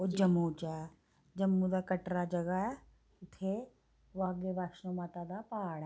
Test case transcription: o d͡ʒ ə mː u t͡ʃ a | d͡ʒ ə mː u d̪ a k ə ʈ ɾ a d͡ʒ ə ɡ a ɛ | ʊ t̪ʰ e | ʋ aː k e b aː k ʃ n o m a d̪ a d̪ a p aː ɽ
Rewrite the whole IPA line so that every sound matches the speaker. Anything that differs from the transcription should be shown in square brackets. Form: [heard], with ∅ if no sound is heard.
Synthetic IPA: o d͡ʒ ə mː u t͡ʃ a | d͡ʒ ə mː u d̪ a k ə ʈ ɾ a d͡ʒ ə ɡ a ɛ | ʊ t̪ʰ e | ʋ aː [ɡ] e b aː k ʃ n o m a [t̪] a d̪ a p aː ɽ

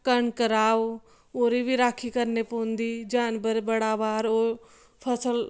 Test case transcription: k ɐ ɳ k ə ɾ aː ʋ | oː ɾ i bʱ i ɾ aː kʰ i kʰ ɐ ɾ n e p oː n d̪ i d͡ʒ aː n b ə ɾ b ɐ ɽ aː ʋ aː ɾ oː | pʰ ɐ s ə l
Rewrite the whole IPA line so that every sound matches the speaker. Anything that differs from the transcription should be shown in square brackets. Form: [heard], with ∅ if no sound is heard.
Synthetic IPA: k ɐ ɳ k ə ɾ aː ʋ | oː ɾ i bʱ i ɾ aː kʰ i [k] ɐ ɾ n e p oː n d̪ i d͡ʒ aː n b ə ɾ b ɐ ɽ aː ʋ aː ɾ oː | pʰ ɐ s ə l

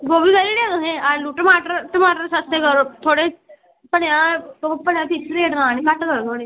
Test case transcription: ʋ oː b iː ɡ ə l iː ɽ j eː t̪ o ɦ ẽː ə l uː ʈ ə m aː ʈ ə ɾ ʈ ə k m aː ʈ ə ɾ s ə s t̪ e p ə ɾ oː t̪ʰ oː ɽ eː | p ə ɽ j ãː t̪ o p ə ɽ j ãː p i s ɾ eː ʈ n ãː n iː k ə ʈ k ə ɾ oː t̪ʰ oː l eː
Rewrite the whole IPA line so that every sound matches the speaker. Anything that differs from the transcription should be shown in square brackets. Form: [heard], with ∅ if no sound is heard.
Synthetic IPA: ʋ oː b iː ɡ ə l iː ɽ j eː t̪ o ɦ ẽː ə l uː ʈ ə m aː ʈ ə ɾ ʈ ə [∅] m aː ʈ ə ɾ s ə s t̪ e [k] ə ɾ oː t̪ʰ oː ɽ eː | p ə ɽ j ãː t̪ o p ə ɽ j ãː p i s ɾ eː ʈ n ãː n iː k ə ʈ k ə ɾ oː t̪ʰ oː [ɽ] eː

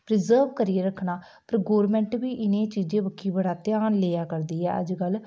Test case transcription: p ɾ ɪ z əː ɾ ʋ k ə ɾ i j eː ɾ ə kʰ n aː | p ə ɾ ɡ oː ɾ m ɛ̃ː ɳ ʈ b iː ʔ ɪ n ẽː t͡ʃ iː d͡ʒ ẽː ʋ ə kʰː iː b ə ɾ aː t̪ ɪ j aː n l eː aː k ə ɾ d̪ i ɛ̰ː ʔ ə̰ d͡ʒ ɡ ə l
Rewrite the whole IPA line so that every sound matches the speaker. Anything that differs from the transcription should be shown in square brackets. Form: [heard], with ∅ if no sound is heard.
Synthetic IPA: p ɾ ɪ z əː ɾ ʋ k ə ɾ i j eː ɾ ə kʰ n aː | p ə ɾ ɡ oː ɾ m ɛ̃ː ɳ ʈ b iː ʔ ɪ n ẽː t͡ʃ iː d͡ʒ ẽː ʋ ə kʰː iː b ə [ɽ] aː t̪ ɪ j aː n l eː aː k ə ɾ d̪ [iː] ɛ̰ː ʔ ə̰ d͡ʒ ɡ ə l

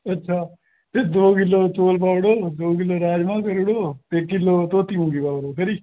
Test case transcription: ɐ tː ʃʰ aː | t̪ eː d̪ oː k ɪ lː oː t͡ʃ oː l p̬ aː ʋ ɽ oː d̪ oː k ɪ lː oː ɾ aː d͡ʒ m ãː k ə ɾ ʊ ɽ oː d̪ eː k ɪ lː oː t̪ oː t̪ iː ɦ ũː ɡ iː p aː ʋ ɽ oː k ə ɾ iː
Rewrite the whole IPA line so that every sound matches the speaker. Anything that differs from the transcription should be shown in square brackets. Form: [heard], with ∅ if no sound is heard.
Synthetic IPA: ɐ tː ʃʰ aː | t̪ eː d̪ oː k ɪ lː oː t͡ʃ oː l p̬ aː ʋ ɽ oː d̪ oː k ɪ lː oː ɾ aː d͡ʒ m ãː k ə ɾ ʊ ɽ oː [t̪] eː k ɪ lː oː t̪ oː t̪ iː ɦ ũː ɡ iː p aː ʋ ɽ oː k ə ɾ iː

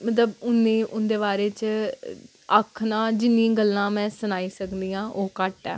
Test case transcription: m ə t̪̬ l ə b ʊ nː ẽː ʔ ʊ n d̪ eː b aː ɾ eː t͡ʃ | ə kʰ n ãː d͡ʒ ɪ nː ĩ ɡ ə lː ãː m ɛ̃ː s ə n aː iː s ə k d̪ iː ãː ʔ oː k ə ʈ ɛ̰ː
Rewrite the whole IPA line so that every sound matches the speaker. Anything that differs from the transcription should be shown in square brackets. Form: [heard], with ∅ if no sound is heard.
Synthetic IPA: m ə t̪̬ l ə b ʊ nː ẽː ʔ ʊ n d̪ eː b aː ɾ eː t͡ʃ | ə kʰ n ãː d͡ʒ ɪ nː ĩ ɡ ə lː ãː m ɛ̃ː s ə n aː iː s ə k d̪ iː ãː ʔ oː k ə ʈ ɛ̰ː

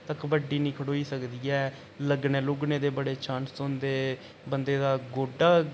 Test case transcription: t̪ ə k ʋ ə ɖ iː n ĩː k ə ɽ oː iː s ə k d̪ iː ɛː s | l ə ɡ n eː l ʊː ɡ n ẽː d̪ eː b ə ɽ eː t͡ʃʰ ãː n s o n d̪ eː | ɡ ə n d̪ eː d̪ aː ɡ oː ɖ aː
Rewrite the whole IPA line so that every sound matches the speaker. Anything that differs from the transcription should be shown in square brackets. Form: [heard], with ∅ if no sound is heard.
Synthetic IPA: t̪ ə k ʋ ə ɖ iː n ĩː [kʰ] ə ɽ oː iː s ə k d̪ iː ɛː [∅] | l ə ɡ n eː l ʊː ɡ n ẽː d̪ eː b ə ɽ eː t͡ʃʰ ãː n s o n d̪ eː | [b] ə n d̪ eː d̪ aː ɡ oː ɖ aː

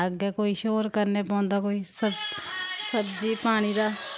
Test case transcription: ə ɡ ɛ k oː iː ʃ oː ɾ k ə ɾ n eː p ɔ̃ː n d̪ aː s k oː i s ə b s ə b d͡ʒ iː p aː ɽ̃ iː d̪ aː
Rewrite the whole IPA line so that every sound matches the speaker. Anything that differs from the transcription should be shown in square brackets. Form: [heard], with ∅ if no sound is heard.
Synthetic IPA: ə ɡ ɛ k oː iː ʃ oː ɾ k ə ɾ n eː p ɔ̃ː n d̪ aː [∅] k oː i s ə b s ə b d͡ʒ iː p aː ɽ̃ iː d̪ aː

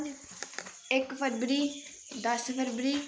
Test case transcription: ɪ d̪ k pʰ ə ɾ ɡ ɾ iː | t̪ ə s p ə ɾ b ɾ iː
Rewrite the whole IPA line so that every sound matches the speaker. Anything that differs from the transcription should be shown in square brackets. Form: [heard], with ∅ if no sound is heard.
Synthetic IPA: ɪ [∅] k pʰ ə ɾ [b] ɾ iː | [d̪] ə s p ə ɾ b ɾ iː

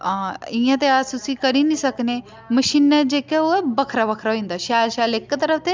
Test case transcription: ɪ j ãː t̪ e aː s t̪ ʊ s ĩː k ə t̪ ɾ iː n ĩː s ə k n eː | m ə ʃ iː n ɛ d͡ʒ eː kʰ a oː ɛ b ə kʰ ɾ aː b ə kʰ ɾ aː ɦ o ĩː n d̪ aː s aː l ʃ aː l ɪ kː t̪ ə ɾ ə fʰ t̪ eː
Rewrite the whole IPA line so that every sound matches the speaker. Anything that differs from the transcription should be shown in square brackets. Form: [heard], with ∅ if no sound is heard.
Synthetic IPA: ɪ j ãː t̪ e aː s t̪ ʊ s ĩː k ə [∅] ɾ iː n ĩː s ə k n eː | m ə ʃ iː n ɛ d͡ʒ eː [k] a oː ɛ b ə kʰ ɾ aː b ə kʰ ɾ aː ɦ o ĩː n d̪ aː [ʃ] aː l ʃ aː l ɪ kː t̪ ə ɾ ə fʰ t̪ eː

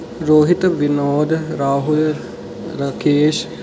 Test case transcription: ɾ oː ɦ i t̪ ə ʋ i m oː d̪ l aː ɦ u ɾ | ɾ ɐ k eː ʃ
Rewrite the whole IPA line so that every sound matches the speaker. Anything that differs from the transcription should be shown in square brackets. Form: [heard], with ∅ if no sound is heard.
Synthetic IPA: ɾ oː ɦ i t̪ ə ʋ i [n] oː d̪ [ɾ] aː ɦ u [l] | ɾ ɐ k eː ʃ

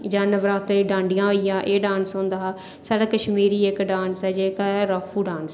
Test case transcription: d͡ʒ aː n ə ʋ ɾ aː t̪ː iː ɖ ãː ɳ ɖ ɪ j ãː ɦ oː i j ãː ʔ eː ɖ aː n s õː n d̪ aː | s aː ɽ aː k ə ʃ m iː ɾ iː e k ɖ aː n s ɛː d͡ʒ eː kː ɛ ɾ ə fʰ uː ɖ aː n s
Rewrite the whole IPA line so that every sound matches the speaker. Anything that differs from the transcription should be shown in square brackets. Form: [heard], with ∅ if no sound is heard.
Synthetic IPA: d͡ʒ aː n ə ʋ ɾ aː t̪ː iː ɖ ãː ɳ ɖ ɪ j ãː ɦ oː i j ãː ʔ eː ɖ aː n s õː n d̪ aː | s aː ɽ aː k ə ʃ m iː ɾ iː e k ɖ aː n s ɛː d͡ʒ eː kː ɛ ɾ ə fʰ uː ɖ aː n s

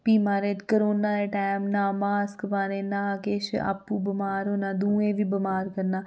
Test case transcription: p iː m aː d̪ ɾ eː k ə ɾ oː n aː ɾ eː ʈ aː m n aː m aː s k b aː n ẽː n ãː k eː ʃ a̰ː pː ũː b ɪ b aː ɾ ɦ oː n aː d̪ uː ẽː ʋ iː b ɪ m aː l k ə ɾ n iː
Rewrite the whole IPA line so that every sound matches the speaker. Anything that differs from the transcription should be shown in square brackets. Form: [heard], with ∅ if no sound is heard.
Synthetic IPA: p iː m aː [∅] ɾ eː k ə ɾ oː n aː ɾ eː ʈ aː m n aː m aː s k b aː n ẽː n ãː k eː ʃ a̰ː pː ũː b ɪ [m] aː ɾ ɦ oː n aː d̪ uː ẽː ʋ iː b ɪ m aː [ɾ] k ə ɾ n [aː]

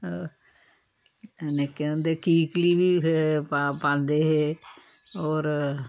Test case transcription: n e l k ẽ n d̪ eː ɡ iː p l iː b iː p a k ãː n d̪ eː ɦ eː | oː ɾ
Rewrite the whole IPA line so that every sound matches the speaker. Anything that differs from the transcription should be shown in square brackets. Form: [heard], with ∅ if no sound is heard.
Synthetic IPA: n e [∅] k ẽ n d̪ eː [k] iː [k] l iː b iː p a [p] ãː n d̪ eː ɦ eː | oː ɾ

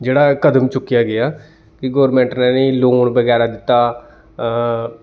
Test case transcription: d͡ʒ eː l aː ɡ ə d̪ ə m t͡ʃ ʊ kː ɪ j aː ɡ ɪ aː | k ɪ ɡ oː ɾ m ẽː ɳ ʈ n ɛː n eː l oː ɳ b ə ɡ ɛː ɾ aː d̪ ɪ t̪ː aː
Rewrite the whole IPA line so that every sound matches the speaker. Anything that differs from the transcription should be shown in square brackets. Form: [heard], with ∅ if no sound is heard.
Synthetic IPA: d͡ʒ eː [ɽ] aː [k] ə d̪ ə m t͡ʃ ʊ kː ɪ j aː ɡ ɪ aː | k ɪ ɡ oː ɾ m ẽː ɳ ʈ n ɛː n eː l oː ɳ b ə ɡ ɛː ɾ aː d̪ ɪ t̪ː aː

